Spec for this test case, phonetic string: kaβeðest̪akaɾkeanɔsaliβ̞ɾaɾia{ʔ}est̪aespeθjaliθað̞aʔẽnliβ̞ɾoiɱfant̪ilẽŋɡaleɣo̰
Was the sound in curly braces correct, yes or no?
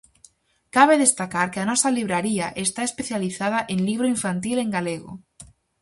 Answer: yes